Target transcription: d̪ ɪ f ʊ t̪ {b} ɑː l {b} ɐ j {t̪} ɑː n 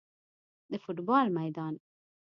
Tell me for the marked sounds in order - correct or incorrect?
correct, incorrect: m, incorrect: d̪

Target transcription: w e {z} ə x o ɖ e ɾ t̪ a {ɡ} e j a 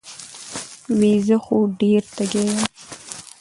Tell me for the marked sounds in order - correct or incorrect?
correct, correct

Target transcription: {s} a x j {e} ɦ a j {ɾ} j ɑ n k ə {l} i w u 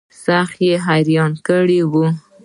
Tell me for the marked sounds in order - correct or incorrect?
correct, correct, correct, incorrect: ɽ

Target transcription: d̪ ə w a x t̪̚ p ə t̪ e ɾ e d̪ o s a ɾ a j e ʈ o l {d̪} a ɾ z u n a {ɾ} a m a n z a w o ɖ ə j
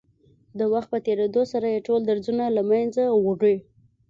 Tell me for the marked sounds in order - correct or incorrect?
correct, incorrect: l

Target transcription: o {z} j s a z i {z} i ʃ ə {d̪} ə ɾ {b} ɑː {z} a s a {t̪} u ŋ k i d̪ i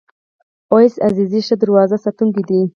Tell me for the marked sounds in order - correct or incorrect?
incorrect: none, correct, correct, incorrect: w, correct, correct

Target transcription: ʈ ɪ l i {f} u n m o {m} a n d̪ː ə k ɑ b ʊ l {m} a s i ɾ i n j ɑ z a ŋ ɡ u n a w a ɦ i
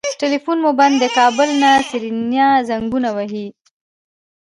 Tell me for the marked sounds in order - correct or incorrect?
correct, incorrect: b, incorrect: n

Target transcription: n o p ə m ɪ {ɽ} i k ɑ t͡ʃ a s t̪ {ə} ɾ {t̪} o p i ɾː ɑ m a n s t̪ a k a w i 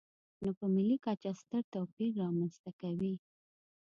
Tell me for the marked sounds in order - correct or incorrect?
incorrect: l, correct, correct

